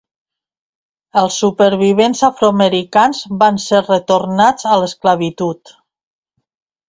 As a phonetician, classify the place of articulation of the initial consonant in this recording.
alveolar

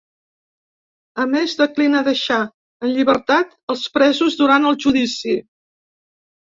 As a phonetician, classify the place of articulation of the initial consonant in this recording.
labial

